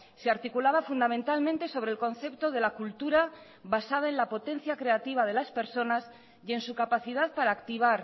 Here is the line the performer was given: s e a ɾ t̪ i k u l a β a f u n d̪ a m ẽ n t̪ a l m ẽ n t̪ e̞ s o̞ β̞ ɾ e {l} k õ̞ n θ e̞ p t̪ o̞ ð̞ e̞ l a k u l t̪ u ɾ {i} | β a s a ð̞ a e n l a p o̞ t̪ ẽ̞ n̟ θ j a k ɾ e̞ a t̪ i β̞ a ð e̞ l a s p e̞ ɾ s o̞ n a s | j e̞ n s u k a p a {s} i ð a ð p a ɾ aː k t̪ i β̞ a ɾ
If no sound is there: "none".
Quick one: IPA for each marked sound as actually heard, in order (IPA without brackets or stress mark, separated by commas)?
l, a, θ